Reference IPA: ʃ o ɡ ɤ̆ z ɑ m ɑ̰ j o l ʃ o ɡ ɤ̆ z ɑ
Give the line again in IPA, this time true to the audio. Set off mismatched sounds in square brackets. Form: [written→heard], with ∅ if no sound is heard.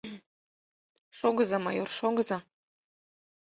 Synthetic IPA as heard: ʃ o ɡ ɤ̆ z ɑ m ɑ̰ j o [l→r] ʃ o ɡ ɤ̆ z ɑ